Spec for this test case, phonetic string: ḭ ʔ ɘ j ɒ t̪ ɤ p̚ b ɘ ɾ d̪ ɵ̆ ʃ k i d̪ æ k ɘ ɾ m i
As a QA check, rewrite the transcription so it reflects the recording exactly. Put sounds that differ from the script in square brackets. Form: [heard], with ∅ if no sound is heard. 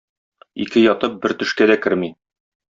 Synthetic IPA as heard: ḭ [k] ɘ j ɒ t̪ ɤ p̚ b ɘ ɾ [t̪] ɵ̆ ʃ k [æ] d̪ æ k ɘ ɾ m i